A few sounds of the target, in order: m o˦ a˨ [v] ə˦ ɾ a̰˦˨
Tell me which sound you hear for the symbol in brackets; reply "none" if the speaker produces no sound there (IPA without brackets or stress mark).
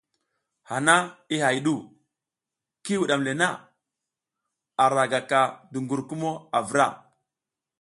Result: v